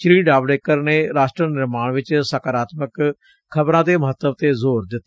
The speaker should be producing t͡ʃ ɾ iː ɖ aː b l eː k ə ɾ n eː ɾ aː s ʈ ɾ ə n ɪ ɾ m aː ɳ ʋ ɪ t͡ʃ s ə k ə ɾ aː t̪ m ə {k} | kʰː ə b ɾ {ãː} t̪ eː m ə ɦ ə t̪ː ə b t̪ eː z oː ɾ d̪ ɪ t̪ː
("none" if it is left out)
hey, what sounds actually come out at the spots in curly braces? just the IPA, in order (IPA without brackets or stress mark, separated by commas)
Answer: k, ãː